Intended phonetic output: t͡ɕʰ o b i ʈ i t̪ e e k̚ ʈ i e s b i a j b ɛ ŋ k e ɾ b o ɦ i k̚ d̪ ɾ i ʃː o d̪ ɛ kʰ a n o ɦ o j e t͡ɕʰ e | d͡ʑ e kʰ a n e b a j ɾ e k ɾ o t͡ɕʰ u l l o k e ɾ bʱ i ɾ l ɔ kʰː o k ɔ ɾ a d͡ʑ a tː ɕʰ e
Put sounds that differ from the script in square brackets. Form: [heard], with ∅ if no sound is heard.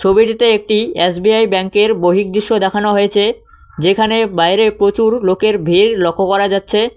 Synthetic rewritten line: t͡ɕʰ o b i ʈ i t̪ e e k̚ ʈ i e s b i a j b ɛ ŋ k e ɾ b o ɦ i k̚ d̪ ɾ i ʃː o d̪ ɛ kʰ a n o ɦ o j e t͡ɕʰ e | d͡ʑ e kʰ a n e b a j ɾ e [p] ɾ o [t͡ɕ] u [ɾ] l o k e ɾ bʱ i ɾ l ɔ kʰː o k ɔ ɾ a d͡ʑ a tː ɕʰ e